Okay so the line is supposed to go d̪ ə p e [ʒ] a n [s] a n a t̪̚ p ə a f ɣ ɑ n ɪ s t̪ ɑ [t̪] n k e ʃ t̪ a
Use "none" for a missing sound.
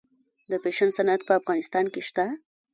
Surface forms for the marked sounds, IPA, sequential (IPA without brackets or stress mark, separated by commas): ʃ, s, none